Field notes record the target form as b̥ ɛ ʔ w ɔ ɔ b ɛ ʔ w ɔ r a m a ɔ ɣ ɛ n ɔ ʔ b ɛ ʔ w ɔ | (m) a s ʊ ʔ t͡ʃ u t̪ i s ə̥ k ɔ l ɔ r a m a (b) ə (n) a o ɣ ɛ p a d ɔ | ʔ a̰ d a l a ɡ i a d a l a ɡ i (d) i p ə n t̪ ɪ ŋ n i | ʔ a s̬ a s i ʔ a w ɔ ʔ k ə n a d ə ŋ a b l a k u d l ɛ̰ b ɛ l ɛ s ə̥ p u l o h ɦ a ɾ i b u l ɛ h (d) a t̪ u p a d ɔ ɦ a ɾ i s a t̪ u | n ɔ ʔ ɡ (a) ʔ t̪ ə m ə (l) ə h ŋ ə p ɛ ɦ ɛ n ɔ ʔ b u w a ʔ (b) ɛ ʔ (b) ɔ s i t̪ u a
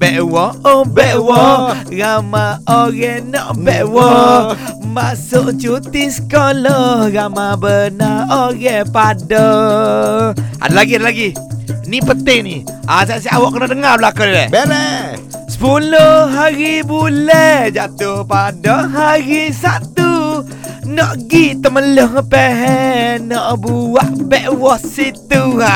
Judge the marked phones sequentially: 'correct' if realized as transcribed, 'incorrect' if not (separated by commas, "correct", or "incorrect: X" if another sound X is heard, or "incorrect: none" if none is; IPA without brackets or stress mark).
correct, correct, correct, incorrect: n, incorrect: d͡ʒ, incorrect: i, correct, correct, incorrect: w